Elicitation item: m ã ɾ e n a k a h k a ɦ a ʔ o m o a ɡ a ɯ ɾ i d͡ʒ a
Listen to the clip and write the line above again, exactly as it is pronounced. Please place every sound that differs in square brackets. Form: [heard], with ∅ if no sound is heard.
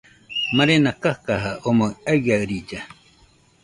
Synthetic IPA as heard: m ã ɾ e n a k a h k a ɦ a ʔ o m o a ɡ a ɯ ɾ i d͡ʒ a